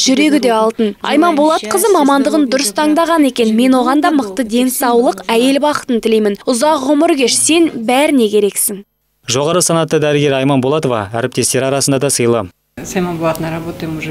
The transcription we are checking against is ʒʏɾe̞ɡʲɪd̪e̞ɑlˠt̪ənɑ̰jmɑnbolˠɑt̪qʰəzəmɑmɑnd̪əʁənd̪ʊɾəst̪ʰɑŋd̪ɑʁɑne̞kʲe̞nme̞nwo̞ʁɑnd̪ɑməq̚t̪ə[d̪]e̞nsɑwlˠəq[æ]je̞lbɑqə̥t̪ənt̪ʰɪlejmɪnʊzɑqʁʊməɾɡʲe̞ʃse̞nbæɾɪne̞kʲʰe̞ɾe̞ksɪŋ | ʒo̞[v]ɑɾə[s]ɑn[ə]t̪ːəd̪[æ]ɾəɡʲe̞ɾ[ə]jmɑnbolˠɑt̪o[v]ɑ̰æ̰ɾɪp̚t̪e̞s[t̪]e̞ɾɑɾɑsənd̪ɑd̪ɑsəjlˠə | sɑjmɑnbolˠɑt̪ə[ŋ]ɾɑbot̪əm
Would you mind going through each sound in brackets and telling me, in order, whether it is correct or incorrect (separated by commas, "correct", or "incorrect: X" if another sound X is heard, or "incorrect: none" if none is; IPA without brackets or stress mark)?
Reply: correct, correct, incorrect: ʁ, correct, incorrect: ɑ, correct, incorrect: ɑ, correct, correct, incorrect: n